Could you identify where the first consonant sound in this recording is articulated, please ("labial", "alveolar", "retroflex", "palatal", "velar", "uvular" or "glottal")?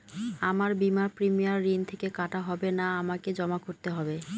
labial